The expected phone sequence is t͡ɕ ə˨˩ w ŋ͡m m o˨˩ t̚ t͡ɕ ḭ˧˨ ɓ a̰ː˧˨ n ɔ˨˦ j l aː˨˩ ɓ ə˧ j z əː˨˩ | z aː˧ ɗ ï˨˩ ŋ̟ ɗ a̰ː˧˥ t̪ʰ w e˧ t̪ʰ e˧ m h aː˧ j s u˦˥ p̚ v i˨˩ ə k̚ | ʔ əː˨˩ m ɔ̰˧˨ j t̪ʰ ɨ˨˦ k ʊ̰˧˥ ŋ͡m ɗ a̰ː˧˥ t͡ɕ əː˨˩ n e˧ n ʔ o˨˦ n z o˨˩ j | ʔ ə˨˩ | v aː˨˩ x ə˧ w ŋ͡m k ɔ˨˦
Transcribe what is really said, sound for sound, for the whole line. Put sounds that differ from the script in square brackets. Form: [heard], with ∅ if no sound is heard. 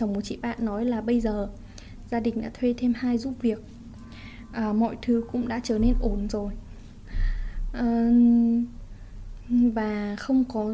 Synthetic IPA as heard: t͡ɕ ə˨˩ w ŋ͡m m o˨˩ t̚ t͡ɕ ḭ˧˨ ɓ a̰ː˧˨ [nː] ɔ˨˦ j l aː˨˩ ɓ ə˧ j z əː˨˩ | z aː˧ ɗ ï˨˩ ŋ̟ ɗ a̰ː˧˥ t̪ʰ w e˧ t̪ʰ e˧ m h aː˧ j [z] u˦˥ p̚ v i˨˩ ə k̚ | ʔ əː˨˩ m ɔ̰˧˨ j t̪ʰ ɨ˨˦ k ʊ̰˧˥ ŋ͡m ɗ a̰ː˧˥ t͡ɕ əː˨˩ n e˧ n ʔ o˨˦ n z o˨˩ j | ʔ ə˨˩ | v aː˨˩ x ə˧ w ŋ͡m k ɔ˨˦